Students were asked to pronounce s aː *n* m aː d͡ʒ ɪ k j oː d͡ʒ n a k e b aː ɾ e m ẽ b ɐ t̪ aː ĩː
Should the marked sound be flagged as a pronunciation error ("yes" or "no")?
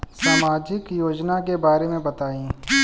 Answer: yes